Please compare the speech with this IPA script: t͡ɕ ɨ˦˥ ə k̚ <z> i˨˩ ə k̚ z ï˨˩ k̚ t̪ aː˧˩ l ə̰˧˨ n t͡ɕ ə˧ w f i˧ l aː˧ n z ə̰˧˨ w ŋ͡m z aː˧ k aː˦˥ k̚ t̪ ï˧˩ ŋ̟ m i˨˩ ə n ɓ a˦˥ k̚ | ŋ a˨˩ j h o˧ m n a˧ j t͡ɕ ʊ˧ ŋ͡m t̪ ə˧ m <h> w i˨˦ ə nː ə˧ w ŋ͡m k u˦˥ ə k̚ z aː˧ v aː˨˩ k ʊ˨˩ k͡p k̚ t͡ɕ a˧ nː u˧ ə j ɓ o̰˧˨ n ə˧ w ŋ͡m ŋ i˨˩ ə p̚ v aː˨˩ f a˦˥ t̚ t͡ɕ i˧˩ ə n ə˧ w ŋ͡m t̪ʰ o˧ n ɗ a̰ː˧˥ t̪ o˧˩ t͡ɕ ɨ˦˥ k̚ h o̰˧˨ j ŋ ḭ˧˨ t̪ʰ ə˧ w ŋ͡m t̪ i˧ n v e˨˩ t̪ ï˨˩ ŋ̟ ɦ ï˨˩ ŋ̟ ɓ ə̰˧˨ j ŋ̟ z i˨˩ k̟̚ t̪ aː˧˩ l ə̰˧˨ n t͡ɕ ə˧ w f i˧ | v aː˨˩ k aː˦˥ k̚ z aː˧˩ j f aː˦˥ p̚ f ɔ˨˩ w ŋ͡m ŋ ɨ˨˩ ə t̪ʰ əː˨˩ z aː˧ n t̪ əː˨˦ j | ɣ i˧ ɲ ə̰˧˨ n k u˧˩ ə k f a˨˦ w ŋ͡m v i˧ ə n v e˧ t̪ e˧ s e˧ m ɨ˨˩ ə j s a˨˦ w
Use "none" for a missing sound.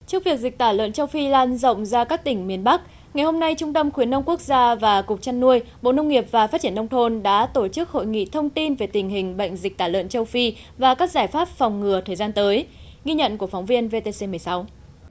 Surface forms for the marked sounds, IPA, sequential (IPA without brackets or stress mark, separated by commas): v, x